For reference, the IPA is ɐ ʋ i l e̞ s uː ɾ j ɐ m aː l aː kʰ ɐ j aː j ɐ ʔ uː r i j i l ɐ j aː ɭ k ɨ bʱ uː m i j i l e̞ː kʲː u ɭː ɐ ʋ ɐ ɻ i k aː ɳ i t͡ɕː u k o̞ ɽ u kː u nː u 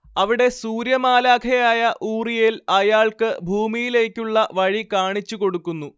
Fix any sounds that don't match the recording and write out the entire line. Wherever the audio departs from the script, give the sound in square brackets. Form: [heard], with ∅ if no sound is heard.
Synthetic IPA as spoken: ɐ ʋ i [ɽ] e̞ s uː ɾ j ɐ m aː l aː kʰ ɐ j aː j ɐ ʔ uː r i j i l ɐ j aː ɭ k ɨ bʱ uː m i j i l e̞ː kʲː u ɭː ɐ ʋ ɐ ɻ i k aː ɳ i t͡ɕː u k o̞ ɽ u kː u nː u